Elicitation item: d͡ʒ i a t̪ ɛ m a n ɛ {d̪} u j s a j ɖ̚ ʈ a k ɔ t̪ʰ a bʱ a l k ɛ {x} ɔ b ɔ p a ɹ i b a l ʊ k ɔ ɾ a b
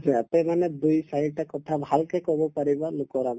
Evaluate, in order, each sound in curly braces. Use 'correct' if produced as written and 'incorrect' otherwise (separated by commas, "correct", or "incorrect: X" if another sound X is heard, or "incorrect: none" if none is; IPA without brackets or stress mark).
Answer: correct, incorrect: k